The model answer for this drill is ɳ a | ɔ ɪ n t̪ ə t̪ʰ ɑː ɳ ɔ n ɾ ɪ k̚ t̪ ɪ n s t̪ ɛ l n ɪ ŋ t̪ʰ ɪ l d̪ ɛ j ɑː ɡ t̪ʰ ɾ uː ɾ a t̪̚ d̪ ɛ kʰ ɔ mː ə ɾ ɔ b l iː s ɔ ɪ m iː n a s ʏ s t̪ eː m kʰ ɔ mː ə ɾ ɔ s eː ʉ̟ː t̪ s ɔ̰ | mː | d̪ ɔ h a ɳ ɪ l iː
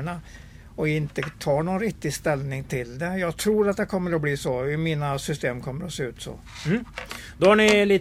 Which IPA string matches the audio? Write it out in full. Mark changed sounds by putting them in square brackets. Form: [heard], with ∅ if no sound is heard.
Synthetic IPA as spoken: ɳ a | ɔ ɪ n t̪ ə t̪ʰ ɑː ɳ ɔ n ɾ ɪ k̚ t̪ ɪ [∅] s t̪ ɛ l n ɪ ŋ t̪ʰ ɪ l d̪ ɛ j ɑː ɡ t̪ʰ ɾ uː ɾ a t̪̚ d̪ ɛ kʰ ɔ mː ə ɾ ɔ b l iː s ɔ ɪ m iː n a s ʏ s t̪ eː m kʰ ɔ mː ə ɾ ɔ s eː ʉ̟ː t̪ s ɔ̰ | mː | d̪ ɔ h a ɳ ɪ l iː